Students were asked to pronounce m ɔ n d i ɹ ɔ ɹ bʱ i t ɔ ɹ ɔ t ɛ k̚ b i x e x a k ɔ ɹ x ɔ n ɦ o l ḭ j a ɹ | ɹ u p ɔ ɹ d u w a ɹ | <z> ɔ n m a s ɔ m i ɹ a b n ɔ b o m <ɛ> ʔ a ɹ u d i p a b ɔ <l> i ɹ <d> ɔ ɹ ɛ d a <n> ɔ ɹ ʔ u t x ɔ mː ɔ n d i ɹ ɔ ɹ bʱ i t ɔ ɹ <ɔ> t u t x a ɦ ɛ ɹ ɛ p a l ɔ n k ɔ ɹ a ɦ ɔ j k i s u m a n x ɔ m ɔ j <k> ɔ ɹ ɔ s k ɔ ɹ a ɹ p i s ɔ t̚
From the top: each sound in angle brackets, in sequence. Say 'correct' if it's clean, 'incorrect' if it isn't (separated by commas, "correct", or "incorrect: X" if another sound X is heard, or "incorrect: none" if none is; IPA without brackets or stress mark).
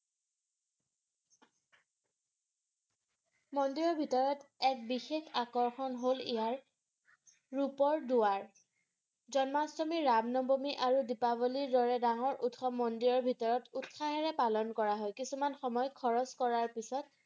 correct, incorrect: i, correct, correct, incorrect: ŋ, correct, incorrect: kʰ